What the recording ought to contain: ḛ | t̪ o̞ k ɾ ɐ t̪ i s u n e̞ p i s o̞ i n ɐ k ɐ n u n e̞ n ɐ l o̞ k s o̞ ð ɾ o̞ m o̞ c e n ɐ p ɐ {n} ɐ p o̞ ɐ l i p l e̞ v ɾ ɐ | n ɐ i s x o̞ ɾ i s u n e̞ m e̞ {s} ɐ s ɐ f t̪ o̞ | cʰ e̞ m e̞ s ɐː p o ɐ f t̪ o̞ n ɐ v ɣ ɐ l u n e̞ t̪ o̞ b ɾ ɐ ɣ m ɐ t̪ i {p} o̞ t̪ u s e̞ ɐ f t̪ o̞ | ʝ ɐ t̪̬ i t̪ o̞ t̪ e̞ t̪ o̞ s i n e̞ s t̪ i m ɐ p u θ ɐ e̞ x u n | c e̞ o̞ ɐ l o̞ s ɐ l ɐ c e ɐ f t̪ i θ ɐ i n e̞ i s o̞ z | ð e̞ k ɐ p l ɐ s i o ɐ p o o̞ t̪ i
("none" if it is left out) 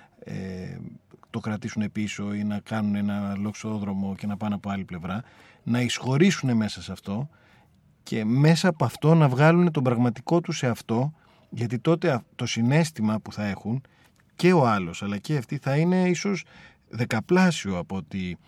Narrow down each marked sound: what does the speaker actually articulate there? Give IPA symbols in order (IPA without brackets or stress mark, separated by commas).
n, s, k